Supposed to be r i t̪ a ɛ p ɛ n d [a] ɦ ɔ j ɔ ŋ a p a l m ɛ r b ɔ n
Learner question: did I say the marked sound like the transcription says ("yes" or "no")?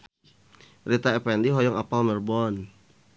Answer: no